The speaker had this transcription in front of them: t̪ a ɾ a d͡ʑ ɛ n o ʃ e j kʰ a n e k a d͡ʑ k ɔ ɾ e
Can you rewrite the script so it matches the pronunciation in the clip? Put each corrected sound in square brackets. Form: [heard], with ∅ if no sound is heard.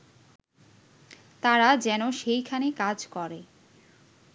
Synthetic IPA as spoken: t̪ a ɾ a d͡ʑ ɛ n o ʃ e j kʰ a n e k a d͡ʑ k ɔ ɾ e